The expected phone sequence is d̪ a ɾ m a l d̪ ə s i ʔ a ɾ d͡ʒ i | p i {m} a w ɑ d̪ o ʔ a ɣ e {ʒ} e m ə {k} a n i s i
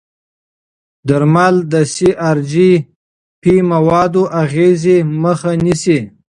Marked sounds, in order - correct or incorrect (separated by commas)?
correct, incorrect, incorrect